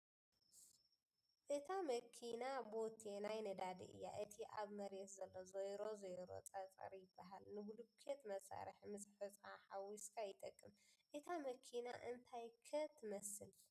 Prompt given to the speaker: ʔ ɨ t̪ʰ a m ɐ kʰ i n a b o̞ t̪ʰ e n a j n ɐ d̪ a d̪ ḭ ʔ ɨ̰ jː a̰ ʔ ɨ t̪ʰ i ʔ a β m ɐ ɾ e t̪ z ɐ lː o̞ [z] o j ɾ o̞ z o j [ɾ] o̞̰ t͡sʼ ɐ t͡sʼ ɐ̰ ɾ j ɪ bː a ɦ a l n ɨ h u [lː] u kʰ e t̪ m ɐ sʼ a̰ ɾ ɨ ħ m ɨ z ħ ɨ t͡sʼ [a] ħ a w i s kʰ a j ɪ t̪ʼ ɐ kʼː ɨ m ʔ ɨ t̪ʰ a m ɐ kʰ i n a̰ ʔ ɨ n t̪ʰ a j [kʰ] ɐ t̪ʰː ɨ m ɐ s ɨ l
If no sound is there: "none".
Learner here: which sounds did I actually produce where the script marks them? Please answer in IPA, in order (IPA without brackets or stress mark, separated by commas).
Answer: z, ɾ, l, a, kʰ